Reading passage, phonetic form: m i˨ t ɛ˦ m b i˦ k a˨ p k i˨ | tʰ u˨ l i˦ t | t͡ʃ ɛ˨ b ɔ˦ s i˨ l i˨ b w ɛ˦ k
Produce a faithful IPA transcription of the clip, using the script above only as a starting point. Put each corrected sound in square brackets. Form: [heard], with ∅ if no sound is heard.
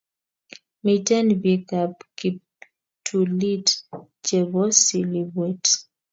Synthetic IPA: m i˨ t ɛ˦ [n] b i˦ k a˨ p k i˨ | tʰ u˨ l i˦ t | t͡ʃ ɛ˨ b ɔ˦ s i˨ l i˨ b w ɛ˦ [t]